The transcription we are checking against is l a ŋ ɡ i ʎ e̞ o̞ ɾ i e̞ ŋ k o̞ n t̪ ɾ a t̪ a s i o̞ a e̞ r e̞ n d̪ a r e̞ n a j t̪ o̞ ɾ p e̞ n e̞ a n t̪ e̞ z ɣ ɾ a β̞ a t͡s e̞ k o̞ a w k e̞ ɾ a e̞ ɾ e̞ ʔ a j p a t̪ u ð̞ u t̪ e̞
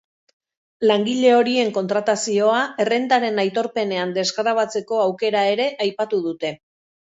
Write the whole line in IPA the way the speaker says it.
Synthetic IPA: l a ŋ ɡ i ʎ e̞ o̞ ɾ i e̞ ŋ k o̞ n t̪ ɾ a t̪ a s i o̞ a e̞ r e̞ n d̪ a ɾ e̞ n a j t̪ o̞ ɾ p e̞ n e̞ a n d̪ e̞ z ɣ ɾ a β̞ a t͡s e̞ k o̞ a w k e̞ ɾ a e̞ ɾ e̞ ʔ a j p a t̪ u ð̞ u t̪ e̞